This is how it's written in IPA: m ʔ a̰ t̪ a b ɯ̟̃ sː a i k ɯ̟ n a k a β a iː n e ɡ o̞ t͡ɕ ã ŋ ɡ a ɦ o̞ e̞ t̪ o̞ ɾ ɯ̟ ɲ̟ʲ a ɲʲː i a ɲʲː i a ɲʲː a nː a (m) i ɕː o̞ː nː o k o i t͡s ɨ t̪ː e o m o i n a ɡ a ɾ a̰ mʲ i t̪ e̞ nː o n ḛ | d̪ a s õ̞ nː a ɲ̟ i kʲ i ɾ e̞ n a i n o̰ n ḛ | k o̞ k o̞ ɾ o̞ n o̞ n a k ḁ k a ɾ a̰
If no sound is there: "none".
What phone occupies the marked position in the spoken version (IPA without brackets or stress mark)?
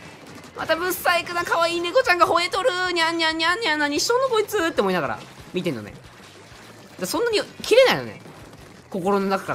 ɲ